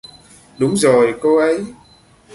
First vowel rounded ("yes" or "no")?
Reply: yes